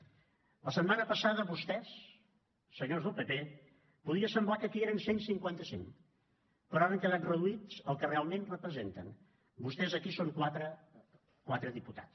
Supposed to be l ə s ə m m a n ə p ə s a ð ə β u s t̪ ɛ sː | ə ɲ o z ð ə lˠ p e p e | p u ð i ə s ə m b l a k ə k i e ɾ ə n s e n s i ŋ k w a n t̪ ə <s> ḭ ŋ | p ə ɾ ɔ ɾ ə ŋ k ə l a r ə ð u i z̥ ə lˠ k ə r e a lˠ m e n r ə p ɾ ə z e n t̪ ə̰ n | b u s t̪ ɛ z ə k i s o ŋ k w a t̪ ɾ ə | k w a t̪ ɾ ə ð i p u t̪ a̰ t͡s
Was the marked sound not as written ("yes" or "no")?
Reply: no